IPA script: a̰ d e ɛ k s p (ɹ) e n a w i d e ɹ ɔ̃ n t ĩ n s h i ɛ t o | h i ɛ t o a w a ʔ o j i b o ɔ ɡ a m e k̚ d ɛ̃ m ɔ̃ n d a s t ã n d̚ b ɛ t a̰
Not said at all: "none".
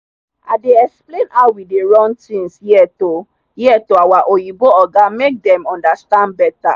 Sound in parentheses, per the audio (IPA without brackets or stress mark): l